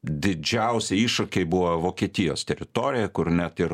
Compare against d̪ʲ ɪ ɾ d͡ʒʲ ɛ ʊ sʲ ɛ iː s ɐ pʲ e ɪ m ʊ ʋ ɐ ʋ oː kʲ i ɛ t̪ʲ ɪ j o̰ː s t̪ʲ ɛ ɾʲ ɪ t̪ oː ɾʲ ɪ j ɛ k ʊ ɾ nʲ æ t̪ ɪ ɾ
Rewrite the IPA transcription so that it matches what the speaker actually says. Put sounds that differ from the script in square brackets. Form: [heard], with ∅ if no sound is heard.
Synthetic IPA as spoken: d̪ʲ ɪ [∅] d͡ʒʲ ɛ ʊ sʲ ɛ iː [ʃ] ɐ [kʲ] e ɪ [b] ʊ ʋ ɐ ʋ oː kʲ i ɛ t̪ʲ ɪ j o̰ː s t̪ʲ ɛ ɾʲ ɪ t̪ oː ɾʲ ɪ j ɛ k ʊ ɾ nʲ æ t̪ ɪ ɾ